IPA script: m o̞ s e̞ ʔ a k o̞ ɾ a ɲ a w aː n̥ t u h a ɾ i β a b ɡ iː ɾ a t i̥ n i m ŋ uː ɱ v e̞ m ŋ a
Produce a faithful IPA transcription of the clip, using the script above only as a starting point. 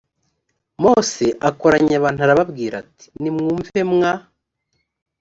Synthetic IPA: m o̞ s e̞ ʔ a k o̞ ɾ a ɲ a β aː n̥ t u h a ɾ a β a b ɡ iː ɾ a t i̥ n i m ŋ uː ɱ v e̞ m ŋ a